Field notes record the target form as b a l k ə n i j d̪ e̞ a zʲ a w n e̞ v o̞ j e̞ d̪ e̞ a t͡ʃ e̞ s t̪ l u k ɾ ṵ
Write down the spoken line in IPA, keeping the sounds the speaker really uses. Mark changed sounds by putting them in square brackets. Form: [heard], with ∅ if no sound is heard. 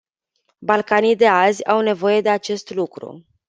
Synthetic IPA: b a l k [a] n i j d̪ e̞ a zʲ a w n e̞ v o̞ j e̞ d̪ e̞ a t͡ʃ e̞ s t̪ l u k ɾ ṵ